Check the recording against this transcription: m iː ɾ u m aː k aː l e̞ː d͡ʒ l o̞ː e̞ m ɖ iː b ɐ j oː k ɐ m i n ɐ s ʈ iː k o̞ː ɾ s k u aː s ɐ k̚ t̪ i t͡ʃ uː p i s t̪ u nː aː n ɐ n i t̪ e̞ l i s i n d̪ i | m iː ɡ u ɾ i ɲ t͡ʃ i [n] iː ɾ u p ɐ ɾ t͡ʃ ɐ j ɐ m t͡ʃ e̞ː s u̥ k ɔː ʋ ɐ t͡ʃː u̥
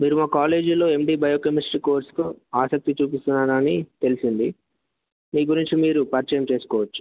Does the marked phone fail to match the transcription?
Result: yes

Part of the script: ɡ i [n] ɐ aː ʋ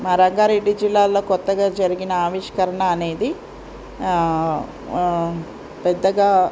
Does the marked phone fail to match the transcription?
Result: no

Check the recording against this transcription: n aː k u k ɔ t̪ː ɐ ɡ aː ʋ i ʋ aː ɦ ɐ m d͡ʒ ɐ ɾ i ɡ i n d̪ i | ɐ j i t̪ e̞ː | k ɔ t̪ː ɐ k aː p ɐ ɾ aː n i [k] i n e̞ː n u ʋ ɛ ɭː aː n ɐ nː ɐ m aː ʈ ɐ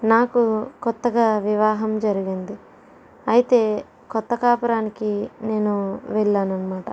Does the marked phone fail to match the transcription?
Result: no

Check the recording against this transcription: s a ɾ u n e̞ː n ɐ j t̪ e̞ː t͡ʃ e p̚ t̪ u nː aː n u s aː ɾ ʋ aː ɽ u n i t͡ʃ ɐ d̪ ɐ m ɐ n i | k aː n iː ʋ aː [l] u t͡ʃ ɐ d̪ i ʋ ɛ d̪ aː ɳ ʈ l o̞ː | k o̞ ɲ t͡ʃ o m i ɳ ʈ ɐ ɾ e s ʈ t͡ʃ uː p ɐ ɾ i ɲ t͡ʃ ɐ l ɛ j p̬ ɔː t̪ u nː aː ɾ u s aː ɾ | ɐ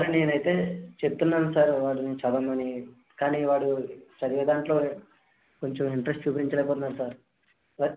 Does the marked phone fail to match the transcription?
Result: yes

